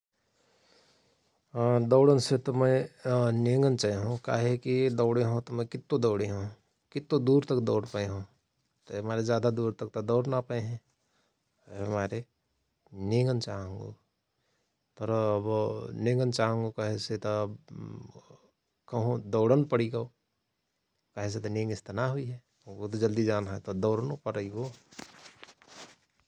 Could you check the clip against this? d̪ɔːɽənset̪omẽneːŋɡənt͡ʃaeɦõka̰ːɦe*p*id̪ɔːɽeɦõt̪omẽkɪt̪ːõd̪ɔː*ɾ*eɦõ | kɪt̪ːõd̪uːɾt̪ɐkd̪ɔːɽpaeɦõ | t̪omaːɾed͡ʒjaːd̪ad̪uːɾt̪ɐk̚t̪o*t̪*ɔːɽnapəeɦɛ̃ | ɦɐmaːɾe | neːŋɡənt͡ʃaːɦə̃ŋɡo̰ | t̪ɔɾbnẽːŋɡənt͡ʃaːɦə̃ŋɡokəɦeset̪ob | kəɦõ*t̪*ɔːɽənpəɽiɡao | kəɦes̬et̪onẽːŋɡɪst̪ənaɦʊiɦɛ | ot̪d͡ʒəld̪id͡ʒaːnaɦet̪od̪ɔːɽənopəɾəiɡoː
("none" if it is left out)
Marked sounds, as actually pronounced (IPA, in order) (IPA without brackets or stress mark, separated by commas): k, ɽ, d̪, d̪